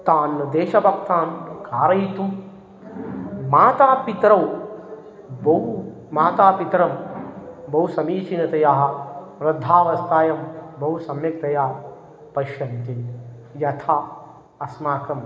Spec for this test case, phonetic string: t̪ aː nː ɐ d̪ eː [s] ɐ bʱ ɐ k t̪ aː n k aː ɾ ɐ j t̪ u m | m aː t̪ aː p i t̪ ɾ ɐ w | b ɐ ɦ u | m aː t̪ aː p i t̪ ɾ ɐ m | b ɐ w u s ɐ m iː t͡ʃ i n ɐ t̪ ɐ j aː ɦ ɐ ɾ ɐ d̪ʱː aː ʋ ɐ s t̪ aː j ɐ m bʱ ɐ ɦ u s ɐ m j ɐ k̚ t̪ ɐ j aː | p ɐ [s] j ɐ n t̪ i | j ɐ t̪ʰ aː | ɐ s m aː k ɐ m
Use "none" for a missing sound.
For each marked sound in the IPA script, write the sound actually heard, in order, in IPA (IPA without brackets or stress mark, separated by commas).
ʃ, ʃ